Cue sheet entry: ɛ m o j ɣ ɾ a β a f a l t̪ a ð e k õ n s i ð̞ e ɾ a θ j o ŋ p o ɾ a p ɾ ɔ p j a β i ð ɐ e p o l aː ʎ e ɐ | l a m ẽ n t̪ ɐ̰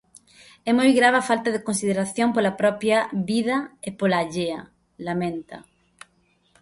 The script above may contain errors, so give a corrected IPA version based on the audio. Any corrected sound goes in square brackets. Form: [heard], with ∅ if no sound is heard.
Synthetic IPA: ɛ m o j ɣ ɾ a β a f a l t̪ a ð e k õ n s i ð̞ e ɾ a θ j o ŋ p o [l] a p ɾ ɔ p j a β i ð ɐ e p o l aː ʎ e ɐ | l a m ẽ n t̪ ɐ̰